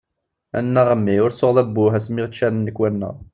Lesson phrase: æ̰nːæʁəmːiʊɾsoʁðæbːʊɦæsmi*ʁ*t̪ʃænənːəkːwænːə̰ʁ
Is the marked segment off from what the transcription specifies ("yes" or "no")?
no